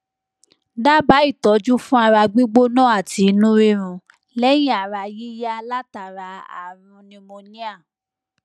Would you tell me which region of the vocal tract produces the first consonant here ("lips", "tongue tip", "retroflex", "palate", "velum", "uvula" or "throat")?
tongue tip